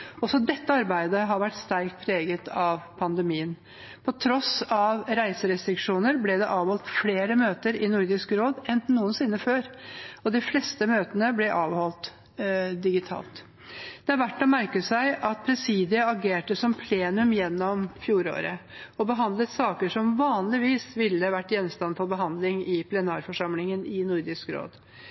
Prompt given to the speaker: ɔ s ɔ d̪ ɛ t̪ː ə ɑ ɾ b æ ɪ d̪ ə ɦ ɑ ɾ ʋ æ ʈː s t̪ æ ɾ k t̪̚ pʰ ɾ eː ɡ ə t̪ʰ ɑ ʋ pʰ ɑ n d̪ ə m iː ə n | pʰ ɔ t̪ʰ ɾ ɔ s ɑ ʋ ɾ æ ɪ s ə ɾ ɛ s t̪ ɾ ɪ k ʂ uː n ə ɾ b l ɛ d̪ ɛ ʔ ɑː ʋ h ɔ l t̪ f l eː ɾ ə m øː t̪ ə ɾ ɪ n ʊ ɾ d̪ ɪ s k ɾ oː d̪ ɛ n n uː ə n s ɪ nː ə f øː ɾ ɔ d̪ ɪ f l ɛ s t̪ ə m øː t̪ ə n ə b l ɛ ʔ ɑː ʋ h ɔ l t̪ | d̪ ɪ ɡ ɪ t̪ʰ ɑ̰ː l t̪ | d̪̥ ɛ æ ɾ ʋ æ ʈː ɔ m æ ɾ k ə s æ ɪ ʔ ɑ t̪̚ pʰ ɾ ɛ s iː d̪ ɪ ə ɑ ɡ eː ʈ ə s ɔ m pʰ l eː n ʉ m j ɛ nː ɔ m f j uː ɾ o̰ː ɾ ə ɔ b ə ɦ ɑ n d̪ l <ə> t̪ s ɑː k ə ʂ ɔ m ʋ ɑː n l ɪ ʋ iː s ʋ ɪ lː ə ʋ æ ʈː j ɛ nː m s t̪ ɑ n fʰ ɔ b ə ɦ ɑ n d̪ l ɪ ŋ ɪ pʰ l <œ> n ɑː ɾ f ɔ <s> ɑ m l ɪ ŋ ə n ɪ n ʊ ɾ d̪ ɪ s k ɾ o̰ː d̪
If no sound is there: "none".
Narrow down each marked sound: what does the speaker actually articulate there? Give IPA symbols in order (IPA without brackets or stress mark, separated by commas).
ə, ɛ, ʂ